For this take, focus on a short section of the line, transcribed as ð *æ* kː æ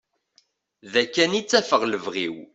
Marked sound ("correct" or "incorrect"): correct